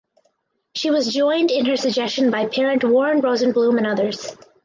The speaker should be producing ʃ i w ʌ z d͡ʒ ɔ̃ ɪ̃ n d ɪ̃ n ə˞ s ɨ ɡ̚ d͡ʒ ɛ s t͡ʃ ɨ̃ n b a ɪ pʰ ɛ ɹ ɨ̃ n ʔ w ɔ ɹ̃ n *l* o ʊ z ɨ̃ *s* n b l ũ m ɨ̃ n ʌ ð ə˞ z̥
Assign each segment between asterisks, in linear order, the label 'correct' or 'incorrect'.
incorrect: ɹ, incorrect: none

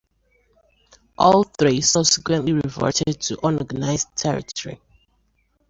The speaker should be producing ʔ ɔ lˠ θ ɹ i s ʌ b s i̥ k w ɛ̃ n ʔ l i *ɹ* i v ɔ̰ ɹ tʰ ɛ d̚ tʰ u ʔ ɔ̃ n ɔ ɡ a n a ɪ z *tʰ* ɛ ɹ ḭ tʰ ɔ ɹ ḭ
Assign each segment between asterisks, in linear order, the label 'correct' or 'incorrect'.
correct, correct

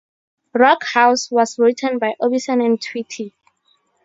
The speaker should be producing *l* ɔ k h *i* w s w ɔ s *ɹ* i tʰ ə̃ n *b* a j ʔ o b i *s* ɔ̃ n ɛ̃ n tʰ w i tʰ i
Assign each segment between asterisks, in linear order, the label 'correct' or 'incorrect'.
incorrect: ɹ, incorrect: a, correct, correct, correct

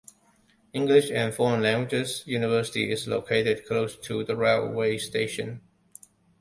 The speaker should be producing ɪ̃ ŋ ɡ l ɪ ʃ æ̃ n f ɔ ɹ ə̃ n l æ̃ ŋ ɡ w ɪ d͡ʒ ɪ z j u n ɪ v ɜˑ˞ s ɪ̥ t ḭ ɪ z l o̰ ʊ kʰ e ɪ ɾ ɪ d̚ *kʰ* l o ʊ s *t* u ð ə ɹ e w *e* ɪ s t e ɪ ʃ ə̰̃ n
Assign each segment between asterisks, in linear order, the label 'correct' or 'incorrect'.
correct, incorrect: tʰ, correct

